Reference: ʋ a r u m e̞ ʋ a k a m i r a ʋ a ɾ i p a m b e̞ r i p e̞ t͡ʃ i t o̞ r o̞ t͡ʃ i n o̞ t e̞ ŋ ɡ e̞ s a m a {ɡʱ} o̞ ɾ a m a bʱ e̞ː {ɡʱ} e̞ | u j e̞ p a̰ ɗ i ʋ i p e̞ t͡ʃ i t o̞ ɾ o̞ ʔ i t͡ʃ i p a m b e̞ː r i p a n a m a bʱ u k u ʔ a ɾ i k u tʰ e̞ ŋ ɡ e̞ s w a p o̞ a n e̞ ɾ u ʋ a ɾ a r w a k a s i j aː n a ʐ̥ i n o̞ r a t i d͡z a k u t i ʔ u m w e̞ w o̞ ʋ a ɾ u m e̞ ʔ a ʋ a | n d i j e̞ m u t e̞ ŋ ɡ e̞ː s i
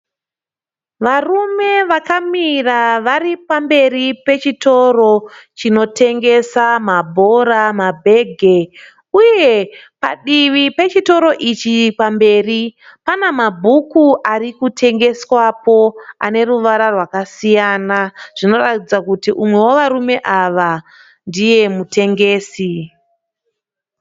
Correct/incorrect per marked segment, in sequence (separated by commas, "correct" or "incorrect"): incorrect, correct